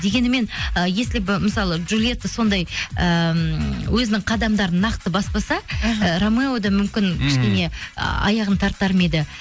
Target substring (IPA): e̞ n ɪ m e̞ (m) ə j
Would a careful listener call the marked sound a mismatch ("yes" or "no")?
yes